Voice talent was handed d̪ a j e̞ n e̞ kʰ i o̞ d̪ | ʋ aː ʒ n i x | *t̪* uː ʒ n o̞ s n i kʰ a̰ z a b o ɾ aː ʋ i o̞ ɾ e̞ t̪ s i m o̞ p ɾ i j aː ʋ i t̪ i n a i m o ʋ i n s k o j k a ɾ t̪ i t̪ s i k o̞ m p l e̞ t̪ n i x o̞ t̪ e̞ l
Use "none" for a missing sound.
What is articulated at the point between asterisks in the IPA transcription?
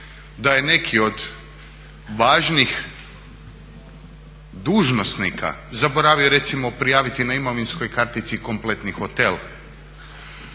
d̪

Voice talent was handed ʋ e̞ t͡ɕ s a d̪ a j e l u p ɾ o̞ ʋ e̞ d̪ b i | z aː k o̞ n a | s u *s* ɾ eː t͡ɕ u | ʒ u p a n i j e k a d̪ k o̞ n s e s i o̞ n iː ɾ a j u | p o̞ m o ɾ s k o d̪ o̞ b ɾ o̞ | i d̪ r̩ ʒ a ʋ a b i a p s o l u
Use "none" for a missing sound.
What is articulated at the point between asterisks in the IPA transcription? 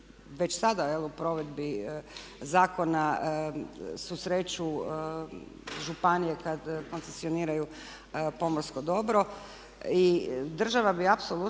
s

